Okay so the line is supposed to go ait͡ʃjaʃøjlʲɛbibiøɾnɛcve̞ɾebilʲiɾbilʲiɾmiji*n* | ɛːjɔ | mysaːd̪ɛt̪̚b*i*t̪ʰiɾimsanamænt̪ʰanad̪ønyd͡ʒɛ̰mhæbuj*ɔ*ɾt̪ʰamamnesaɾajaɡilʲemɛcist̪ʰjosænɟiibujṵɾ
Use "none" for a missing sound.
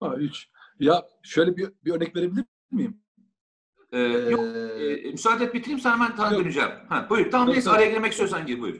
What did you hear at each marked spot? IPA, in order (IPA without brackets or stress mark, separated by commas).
m, i, u